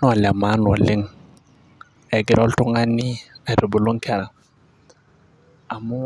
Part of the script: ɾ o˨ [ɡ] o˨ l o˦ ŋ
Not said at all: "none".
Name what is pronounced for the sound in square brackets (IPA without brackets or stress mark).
b